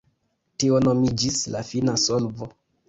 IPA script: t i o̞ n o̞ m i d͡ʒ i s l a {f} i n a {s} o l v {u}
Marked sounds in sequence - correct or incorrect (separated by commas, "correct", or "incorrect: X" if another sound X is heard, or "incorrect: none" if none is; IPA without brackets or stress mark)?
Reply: correct, correct, incorrect: o